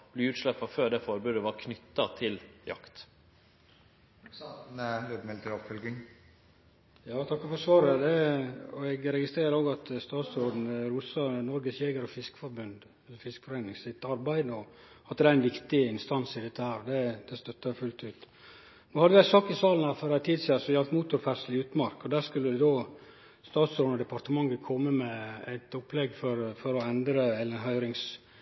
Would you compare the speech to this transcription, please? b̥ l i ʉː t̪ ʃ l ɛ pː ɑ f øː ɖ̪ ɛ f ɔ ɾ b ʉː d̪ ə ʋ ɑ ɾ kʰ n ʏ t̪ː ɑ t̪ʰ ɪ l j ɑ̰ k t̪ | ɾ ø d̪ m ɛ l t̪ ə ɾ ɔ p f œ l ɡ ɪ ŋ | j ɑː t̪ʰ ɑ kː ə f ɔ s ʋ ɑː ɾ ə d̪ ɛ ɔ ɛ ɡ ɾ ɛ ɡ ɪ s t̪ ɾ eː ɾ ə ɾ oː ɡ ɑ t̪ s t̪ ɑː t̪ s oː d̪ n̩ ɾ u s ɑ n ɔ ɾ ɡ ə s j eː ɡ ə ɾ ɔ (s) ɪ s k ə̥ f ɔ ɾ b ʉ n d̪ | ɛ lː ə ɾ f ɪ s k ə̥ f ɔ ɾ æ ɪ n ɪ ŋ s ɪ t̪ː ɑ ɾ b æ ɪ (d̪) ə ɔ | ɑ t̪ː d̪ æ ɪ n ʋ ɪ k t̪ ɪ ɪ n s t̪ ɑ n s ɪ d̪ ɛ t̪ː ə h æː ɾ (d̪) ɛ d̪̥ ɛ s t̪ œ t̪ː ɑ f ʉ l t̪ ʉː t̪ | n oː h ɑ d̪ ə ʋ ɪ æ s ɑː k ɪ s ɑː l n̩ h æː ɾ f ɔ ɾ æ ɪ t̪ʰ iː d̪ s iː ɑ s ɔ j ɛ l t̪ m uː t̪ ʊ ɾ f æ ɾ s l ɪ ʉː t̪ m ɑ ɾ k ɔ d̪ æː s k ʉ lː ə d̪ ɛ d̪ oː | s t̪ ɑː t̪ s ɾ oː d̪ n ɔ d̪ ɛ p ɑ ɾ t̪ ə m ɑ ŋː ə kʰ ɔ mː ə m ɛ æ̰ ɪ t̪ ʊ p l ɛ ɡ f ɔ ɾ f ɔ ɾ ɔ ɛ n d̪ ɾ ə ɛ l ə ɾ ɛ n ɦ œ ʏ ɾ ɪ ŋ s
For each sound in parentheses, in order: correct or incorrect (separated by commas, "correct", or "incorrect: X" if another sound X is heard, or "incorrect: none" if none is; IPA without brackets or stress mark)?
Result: incorrect: f, correct, correct